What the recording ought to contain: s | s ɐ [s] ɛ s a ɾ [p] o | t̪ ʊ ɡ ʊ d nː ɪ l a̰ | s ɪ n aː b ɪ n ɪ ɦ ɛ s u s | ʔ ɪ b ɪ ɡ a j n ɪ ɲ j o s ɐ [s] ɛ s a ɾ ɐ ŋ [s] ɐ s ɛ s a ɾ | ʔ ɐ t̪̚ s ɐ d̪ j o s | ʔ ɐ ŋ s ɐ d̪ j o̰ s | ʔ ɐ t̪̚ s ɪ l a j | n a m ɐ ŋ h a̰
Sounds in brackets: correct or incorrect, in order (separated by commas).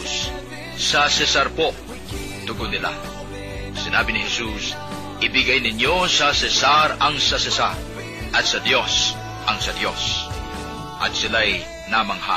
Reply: correct, correct, correct, correct